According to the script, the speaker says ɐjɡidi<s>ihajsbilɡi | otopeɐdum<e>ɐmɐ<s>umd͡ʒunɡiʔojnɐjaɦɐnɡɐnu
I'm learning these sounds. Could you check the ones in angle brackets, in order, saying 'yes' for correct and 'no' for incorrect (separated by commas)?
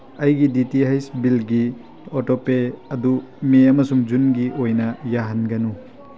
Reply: no, yes, yes